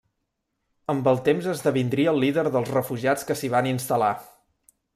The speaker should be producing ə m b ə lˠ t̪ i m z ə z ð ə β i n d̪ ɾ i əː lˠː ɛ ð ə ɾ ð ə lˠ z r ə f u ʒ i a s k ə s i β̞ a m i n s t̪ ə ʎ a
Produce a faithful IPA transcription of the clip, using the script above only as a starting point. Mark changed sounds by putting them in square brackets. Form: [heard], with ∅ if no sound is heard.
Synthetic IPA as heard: ə m b ə lˠ t̪ [e] m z ə z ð ə β i n d̪ ɾ i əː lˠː [i] ð ə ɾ ð ə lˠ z r ə f u ʒ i a [t͡s] k ə s i β̞ a [n] i n s t̪ ə [l] a